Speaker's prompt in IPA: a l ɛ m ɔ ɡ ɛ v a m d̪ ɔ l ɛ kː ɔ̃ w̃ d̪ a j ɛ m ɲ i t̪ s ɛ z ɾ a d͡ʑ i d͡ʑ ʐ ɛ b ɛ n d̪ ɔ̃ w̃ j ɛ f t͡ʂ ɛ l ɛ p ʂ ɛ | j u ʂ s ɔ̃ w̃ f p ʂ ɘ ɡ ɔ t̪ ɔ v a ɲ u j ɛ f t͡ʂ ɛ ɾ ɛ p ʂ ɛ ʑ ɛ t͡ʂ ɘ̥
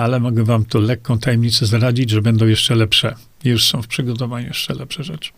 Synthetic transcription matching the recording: a l ɛ m ɔ ɡ ɛ v a m t̪ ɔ l ɛ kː ɔ̃ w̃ t̪ a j ɛ m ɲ i t̪ s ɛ z ɾ a d͡ʑ i d͡ʑ ʐ ɛ b ɛ n d̪ ɔ̃ w̃ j ɛ ʂ t͡ʂ ɛ l ɛ p ʂ ɛ | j u ʂ s ɔ̃ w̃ f p ʂ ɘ ɡ ɔ t̪ ɔ v a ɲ u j ɛ ʂ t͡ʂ ɛ l ɛ p ʂ ɛ ʐ ɛ t͡ʂ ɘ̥